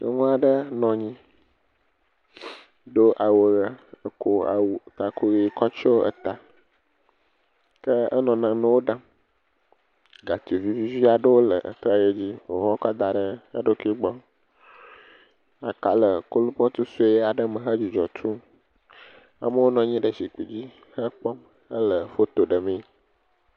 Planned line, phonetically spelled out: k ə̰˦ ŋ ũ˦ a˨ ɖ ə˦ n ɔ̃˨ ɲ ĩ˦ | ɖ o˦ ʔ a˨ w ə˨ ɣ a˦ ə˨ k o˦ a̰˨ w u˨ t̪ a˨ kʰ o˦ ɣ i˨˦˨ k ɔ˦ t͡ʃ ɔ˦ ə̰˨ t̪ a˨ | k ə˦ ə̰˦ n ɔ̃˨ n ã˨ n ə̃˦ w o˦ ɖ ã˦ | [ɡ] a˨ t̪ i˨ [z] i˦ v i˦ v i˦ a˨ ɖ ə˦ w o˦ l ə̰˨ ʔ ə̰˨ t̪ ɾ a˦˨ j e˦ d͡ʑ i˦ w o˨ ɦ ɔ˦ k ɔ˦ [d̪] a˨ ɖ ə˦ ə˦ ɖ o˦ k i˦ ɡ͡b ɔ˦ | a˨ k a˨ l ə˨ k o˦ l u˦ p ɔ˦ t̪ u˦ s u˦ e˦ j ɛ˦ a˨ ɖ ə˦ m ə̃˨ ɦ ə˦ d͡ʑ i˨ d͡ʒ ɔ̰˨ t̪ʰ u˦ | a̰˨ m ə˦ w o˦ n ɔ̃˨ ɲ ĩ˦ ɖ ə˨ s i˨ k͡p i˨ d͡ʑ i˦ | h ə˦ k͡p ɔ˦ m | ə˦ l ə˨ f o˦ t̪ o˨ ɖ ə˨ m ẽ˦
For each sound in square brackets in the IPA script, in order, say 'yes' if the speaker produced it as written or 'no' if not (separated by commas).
yes, no, yes